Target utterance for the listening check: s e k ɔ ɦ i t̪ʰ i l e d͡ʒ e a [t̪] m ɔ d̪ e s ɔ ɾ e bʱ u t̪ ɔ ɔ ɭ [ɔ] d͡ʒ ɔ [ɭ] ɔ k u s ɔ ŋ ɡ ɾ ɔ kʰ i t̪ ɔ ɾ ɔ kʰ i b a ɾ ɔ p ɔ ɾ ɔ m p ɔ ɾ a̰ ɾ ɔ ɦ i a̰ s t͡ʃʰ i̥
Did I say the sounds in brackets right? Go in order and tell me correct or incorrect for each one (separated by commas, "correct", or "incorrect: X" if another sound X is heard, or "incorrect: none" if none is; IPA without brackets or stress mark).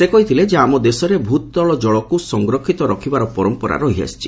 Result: incorrect: none, correct, correct